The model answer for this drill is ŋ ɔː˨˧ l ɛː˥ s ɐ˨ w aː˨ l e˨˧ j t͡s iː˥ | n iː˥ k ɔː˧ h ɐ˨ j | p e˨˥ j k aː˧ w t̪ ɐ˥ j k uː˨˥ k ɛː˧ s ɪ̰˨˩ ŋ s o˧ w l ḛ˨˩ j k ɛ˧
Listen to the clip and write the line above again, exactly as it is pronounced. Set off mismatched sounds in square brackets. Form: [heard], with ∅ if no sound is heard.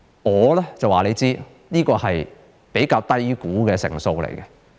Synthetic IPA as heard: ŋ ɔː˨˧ l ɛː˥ [t͡s] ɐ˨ w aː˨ l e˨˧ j t͡s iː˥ | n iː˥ k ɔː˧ h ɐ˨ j | p e˨˥ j k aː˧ w t̪ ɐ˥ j k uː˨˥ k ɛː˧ s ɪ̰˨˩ ŋ s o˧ w l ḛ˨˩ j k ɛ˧

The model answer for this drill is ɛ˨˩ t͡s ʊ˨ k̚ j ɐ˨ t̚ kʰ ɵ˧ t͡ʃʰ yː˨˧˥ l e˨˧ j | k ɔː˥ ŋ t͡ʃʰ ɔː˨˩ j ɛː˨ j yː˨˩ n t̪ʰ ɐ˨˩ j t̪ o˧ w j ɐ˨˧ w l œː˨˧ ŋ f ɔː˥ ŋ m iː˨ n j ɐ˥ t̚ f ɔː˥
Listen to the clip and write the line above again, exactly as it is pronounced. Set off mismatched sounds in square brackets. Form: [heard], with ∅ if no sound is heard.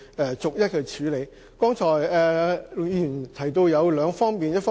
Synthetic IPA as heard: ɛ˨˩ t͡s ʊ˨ k̚ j [ɐ˥] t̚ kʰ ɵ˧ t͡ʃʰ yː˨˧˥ l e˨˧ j | k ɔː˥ ŋ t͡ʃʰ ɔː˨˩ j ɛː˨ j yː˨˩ n t̪ʰ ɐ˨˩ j t̪ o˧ w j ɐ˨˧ w l œː˨˧ ŋ f ɔː˥ ŋ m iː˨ n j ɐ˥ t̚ f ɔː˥

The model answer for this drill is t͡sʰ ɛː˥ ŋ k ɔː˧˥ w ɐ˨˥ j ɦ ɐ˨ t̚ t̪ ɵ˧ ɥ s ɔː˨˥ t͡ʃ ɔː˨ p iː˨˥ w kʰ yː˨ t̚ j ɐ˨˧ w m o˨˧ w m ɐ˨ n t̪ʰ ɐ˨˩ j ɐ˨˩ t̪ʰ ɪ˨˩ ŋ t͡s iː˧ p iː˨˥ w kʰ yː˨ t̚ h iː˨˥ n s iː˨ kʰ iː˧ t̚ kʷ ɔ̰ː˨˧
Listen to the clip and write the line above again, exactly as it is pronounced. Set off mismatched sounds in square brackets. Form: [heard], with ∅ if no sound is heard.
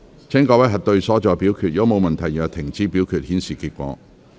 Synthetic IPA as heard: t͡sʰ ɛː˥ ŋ k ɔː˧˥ w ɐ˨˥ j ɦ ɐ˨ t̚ t̪ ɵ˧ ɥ s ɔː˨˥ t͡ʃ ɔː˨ p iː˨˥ w kʰ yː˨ t̚ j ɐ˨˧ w m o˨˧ w m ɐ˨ n t̪ʰ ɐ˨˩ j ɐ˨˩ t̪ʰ ɪ˨˩ ŋ t͡s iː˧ p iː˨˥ w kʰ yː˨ t̚ h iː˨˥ n s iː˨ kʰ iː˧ t̚ kʷ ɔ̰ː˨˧

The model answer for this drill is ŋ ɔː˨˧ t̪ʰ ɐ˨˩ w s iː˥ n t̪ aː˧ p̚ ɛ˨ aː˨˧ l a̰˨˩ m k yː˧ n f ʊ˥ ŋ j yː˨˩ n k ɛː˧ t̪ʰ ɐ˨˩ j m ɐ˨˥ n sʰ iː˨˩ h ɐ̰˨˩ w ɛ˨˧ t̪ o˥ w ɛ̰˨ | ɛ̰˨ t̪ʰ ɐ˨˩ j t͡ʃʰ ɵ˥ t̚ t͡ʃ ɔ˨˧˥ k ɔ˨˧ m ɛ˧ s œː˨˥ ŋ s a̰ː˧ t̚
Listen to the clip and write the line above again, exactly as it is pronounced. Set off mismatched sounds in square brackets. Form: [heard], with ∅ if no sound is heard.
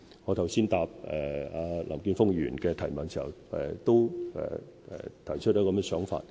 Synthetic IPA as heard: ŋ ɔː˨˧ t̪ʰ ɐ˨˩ w s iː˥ n t̪ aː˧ p̚ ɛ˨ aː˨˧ l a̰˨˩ m k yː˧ n f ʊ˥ ŋ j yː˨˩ n k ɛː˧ t̪ʰ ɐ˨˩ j m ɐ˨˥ n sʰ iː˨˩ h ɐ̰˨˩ w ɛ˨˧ t̪ o˥ w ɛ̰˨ | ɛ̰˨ t̪ʰ ɐ˨˩ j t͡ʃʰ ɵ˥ t̚ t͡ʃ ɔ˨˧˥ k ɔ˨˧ m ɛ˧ s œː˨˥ ŋ [f] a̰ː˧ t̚

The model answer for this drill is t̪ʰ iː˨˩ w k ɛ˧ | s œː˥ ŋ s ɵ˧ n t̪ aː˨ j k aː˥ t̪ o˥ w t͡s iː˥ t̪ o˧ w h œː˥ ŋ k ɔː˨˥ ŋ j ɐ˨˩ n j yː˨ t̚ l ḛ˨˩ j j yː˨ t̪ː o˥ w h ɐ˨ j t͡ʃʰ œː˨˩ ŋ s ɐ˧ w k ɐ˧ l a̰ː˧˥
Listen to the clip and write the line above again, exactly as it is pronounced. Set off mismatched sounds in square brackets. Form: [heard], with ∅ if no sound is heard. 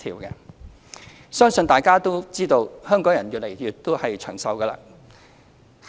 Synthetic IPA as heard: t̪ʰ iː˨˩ w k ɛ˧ | s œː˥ ŋ s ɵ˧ n t̪ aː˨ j k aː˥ t̪ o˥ w t͡s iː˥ t̪ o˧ w h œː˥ ŋ k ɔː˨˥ ŋ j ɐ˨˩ n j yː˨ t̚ l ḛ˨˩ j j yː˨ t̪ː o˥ w h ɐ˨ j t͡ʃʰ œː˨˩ ŋ s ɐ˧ w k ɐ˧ l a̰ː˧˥

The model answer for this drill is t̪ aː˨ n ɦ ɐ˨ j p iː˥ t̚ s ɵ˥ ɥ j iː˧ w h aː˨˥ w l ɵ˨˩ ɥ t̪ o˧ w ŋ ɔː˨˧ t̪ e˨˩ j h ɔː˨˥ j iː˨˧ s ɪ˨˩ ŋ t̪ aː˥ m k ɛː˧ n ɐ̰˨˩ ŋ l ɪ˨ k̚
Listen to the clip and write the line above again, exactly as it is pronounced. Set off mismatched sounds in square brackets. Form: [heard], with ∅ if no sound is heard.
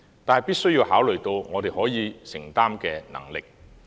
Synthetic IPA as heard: t̪ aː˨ n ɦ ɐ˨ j p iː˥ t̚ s ɵ˥ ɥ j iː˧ w h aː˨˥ w l ɵ˨˩ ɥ t̪ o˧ w ŋ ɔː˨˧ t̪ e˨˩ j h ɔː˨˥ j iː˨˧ s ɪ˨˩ ŋ t̪ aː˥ m k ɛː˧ n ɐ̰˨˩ ŋ l ɪ˨ k̚

